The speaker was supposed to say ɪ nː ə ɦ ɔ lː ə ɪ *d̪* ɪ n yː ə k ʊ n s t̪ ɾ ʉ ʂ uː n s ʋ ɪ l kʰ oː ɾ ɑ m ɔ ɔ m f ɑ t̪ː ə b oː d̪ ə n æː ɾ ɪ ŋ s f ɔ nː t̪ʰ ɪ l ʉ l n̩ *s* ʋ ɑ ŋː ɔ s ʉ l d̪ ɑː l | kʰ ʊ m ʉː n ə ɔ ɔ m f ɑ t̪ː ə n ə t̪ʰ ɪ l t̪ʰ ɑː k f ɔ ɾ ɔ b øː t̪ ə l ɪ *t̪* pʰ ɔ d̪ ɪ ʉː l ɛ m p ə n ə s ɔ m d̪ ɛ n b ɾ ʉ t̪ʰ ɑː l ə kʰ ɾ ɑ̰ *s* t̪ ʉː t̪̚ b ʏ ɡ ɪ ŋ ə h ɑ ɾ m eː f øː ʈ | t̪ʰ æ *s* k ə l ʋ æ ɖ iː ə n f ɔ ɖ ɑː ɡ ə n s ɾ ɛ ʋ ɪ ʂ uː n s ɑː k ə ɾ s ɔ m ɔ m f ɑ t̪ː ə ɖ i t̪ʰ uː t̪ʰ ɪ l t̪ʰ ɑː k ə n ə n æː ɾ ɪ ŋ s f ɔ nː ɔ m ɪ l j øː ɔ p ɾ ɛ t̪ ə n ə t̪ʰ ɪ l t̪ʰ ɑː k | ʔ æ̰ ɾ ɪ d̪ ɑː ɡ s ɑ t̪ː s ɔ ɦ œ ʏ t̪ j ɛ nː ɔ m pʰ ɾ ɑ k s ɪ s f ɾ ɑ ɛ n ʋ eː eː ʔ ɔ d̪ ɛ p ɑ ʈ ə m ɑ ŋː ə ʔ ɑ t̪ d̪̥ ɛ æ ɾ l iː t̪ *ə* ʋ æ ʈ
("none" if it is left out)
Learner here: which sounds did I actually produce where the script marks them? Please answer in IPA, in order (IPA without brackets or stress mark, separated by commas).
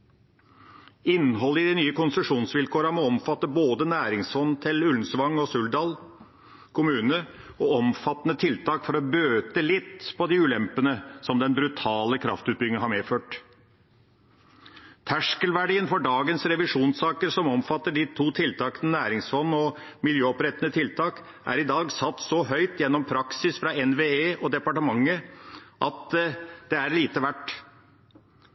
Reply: d̪, s, t̪, f, ʂ, ə